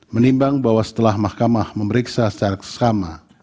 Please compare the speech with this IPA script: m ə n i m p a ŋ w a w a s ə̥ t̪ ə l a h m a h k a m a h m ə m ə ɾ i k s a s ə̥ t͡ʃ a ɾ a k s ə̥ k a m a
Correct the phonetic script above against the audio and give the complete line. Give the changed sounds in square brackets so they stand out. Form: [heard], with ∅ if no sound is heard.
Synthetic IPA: m ə n i m [b] a ŋ [b] a w a s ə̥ t̪ ə l a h m a h k a m a h m ə m ə ɾ i k s a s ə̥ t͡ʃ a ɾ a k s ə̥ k a m a